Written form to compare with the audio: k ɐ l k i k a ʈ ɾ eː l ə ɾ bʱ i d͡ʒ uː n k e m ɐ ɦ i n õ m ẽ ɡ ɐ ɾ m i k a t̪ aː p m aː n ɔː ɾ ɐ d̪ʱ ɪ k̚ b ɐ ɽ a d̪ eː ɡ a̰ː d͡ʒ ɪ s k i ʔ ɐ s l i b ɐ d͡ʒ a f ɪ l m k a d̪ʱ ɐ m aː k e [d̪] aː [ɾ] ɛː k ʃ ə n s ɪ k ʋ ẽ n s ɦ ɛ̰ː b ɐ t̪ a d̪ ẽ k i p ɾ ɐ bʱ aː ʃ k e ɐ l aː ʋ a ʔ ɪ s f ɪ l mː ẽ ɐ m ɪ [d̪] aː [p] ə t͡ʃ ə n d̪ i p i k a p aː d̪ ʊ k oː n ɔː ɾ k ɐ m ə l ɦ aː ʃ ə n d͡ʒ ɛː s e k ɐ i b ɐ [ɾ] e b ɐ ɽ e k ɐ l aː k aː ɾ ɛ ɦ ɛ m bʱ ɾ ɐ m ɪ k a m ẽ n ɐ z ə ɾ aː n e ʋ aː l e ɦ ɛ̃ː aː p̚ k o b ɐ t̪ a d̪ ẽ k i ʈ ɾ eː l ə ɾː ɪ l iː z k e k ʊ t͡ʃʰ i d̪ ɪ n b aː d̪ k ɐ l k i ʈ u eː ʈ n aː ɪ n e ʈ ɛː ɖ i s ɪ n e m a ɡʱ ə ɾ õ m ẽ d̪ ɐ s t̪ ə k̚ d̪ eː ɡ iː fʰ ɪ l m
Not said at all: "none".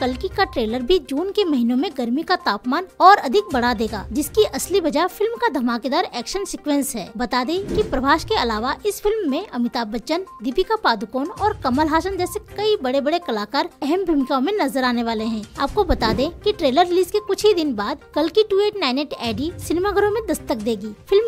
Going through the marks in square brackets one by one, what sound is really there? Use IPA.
d̪, ɾ, t̪, b, ɽ

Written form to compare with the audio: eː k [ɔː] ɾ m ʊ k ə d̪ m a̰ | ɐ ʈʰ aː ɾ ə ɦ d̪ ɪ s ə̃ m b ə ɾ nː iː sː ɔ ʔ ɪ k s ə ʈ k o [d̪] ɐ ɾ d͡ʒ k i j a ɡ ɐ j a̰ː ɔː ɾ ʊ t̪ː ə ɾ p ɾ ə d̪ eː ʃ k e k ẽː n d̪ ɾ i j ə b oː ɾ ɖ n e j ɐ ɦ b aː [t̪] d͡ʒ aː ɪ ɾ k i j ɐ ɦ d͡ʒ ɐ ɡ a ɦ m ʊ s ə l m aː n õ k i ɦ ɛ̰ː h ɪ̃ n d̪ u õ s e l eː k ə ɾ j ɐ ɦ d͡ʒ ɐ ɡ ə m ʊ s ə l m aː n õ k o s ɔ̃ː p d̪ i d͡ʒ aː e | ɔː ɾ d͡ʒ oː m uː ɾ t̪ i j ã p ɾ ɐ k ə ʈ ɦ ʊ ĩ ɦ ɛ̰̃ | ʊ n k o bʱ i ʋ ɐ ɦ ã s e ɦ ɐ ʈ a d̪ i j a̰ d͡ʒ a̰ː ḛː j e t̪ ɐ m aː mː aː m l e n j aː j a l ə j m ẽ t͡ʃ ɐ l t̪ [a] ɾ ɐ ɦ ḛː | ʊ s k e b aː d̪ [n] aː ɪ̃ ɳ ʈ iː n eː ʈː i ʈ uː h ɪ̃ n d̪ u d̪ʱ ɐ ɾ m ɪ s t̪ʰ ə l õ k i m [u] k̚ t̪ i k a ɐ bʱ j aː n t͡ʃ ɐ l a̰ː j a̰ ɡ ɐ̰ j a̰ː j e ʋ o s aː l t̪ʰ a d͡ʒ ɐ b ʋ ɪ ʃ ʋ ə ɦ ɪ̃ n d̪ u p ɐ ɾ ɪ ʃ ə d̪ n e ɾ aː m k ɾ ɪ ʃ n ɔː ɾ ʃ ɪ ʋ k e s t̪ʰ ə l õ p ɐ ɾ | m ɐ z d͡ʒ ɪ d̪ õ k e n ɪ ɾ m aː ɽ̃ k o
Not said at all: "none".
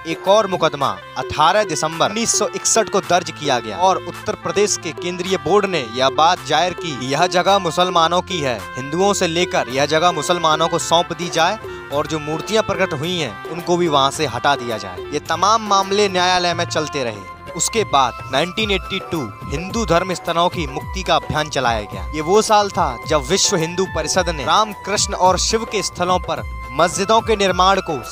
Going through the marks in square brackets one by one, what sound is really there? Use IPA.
ɔː, d̪, t̪, e, n, ʊ

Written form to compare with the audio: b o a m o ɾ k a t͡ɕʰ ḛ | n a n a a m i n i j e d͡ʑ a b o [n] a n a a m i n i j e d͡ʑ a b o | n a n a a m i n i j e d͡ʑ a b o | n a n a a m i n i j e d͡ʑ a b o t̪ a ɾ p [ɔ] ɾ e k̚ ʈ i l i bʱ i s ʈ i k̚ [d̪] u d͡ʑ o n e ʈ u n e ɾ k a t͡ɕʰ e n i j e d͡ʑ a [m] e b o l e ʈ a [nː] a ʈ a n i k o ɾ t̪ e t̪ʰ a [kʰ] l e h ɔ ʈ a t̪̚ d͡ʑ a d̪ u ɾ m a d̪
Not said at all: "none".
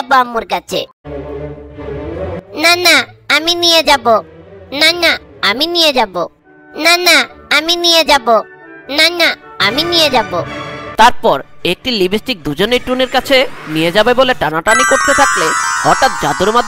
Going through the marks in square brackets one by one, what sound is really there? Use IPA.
n, ɔ, d̪, b, n, k

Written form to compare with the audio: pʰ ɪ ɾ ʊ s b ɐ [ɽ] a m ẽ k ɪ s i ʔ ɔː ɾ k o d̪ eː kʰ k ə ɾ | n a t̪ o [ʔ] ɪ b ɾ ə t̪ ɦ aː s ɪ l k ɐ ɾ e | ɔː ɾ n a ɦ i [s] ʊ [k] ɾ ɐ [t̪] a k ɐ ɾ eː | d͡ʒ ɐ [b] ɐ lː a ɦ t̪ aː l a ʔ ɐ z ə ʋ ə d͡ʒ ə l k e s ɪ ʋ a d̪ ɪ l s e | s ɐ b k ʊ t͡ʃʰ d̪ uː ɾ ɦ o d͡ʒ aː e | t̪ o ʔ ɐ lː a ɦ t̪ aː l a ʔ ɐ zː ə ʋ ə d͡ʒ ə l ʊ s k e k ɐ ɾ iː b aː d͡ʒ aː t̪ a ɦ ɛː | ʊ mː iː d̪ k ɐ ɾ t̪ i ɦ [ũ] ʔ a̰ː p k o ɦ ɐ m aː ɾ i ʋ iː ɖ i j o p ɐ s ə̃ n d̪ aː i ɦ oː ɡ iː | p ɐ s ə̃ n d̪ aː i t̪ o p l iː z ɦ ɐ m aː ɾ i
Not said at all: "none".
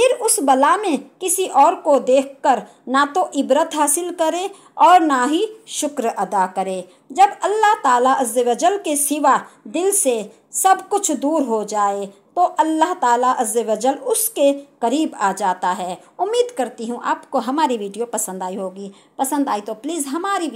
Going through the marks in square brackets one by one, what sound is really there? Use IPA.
l, ʔ, ʃ, k, d̪, b, ũ

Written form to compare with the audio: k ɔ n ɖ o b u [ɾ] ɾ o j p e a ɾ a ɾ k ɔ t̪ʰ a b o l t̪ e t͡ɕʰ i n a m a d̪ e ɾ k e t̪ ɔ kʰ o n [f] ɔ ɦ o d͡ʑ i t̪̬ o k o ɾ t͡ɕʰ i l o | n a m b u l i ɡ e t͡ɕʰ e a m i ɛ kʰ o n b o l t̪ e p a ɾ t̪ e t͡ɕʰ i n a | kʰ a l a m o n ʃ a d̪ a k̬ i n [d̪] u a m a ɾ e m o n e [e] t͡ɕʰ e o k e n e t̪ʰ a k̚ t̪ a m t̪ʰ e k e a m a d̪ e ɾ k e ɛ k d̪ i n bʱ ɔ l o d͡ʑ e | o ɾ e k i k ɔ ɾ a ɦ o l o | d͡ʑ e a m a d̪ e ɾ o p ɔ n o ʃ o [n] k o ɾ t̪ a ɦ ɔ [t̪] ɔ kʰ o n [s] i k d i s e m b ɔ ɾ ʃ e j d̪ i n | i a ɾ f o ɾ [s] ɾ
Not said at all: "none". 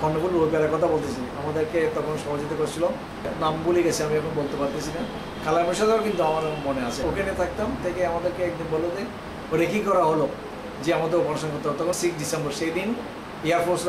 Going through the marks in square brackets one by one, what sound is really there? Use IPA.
l, ʃ, t̪, a, n, t̪, s, s

